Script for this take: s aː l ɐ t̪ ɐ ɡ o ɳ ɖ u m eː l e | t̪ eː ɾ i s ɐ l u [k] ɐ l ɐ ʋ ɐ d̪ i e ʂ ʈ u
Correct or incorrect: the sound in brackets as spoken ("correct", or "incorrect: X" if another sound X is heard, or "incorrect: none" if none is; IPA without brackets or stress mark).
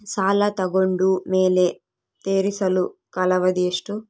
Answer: correct